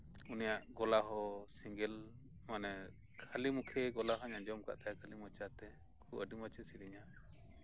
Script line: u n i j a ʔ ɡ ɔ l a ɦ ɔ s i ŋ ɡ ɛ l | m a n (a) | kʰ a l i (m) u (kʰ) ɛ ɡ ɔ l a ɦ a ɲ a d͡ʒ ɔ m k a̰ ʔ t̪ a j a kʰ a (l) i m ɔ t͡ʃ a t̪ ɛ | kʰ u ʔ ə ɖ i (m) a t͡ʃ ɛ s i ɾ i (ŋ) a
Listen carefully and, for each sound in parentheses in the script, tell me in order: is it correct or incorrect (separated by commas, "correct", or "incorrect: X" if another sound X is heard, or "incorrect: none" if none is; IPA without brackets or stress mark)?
incorrect: ɛ, correct, correct, correct, correct, incorrect: ɲ